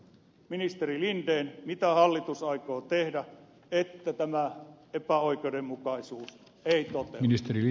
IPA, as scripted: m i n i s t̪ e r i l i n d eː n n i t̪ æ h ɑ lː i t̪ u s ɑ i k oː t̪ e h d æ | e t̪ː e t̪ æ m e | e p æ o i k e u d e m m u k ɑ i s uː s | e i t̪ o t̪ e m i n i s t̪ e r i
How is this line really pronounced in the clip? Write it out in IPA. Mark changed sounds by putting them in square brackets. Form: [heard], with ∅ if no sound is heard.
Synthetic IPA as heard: m i n i s t̪ e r i l i n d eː n [m] i t̪ æ h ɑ lː i t̪ u s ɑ i k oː t̪ e h d æ | e t̪ː [æ] t̪ æ m [æ] | e p æ o i k e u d e m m u k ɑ i s uː s | e i t̪ o t̪ e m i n i s t̪ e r i